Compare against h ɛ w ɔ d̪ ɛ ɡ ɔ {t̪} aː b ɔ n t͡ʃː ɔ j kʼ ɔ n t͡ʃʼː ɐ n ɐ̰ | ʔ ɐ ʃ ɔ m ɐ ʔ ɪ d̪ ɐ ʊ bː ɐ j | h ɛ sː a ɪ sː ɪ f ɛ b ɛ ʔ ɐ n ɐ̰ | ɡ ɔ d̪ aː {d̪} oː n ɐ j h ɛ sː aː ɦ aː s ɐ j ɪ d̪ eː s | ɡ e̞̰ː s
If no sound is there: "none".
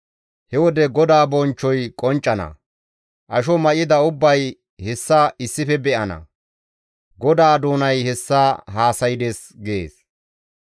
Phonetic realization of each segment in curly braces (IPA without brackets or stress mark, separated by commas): d̪, d̪